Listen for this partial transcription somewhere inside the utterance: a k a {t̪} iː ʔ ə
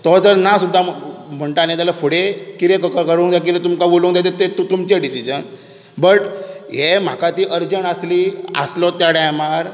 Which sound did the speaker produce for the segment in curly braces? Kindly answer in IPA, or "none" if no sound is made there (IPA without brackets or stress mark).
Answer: t̪